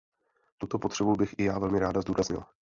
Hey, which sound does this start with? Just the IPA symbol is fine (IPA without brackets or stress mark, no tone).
t̪